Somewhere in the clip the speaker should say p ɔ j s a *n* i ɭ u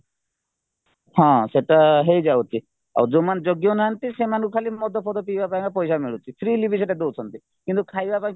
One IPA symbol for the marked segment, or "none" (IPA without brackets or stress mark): m